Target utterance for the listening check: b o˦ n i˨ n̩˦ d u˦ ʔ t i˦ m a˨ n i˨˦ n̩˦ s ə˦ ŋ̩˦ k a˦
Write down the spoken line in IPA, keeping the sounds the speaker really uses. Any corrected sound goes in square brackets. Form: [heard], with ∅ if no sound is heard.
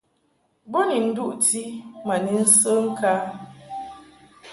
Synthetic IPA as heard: b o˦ n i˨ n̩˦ d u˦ ʔ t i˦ m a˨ n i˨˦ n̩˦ s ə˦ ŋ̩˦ k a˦